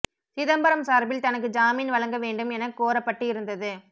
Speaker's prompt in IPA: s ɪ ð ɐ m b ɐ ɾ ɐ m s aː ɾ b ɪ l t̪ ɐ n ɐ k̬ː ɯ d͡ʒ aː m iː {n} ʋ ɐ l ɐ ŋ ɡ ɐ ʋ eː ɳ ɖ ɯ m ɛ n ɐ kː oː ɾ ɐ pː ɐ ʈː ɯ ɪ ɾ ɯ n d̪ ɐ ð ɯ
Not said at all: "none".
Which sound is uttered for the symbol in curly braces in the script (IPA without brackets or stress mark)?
n